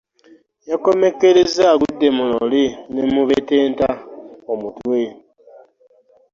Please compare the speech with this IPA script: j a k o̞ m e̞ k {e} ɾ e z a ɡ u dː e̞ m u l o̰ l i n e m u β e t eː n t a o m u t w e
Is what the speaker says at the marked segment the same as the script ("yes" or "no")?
yes